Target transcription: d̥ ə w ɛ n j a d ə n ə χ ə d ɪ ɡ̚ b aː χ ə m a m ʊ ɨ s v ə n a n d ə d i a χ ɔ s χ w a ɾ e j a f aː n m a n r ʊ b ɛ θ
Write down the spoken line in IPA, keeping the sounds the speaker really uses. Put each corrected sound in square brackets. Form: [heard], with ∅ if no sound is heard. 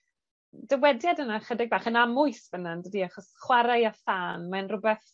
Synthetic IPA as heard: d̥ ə w ɛ [d] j a d ə n [a] χ ə d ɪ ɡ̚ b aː χ ə [n] a m ʊ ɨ s v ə n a n d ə d i a χ ɔ s χ w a ɾ [a] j a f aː n m a n r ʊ b ɛ θ